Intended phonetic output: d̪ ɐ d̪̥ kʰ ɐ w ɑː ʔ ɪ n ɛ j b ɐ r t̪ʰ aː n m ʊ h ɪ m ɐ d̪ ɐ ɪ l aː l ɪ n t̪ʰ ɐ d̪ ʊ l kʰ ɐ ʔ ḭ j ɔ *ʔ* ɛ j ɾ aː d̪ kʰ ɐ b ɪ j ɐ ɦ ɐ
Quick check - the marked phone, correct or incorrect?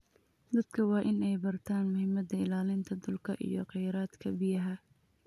incorrect